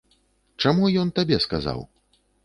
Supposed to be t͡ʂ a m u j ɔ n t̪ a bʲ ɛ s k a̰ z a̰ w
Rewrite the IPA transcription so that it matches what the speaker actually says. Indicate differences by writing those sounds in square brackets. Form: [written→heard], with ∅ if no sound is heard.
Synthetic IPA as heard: t͡ʂ a m u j ɔ n t̪ a bʲ ɛ s k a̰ z a̰ w